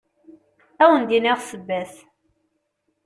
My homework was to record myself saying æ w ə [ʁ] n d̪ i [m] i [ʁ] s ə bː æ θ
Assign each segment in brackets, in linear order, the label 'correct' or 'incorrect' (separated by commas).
incorrect, incorrect, correct